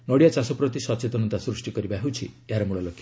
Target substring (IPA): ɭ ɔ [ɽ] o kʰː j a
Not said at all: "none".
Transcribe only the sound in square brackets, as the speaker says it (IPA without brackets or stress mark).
l